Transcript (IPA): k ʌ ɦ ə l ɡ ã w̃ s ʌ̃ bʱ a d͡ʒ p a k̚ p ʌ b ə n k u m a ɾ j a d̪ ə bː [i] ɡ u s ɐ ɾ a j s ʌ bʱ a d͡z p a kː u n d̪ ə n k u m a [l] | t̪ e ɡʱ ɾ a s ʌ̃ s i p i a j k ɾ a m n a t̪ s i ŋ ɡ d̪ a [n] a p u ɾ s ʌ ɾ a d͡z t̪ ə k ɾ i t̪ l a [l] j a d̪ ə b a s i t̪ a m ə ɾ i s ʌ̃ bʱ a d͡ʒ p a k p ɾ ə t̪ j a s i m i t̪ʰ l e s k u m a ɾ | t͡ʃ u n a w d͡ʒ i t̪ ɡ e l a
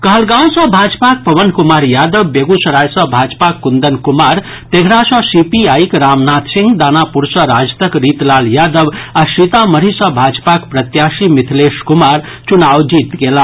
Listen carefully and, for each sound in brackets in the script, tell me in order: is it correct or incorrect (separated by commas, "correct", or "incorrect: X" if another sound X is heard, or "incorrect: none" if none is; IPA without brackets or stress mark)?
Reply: incorrect: e, incorrect: ɾ, correct, correct